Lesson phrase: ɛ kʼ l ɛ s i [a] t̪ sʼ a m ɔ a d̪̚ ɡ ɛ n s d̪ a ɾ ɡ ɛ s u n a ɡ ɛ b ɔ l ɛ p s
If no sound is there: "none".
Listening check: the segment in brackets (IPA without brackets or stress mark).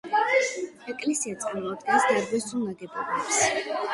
a